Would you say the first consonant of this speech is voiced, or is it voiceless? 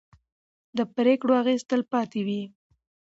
voiced